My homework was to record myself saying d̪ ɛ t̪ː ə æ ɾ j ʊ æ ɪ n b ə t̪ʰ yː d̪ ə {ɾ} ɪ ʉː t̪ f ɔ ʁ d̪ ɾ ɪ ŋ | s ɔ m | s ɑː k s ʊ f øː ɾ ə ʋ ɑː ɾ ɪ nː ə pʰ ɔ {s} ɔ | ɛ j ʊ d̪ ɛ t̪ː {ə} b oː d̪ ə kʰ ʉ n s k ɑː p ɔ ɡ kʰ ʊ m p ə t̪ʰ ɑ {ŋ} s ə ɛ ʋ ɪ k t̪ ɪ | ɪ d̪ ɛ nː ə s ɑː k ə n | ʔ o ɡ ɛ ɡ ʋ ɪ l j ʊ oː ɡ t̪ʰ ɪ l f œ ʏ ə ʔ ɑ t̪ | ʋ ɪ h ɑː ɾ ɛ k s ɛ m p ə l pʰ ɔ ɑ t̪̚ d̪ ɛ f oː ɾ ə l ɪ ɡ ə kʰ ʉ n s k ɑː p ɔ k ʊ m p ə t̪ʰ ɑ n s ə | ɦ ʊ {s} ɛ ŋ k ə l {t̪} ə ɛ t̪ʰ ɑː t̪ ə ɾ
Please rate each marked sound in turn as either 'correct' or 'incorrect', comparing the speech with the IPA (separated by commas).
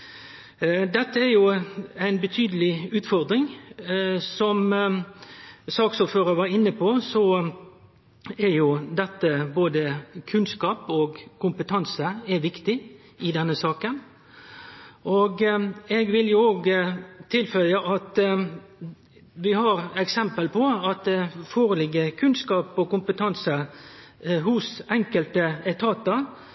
incorrect, correct, correct, incorrect, correct, correct